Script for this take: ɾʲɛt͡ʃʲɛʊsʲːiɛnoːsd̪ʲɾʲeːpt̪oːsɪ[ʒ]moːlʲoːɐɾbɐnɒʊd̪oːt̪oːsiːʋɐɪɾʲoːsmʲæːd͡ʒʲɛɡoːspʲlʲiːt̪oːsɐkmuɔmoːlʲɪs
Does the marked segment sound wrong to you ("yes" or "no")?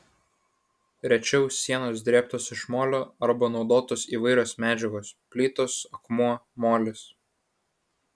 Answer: yes